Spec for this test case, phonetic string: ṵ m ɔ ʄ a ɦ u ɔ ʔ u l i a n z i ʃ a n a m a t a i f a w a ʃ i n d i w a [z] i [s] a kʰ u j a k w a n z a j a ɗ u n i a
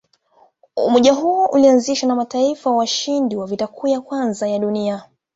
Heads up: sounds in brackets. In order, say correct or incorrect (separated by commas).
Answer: incorrect, incorrect